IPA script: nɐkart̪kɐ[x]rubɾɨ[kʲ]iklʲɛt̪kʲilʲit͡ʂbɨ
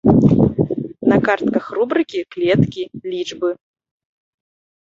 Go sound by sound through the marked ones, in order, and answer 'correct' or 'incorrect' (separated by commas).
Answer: correct, correct